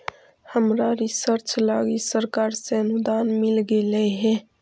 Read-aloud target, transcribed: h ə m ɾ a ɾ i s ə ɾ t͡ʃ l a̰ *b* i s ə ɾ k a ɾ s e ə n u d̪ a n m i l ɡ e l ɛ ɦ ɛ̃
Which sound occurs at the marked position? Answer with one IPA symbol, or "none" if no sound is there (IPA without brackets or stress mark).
ɡ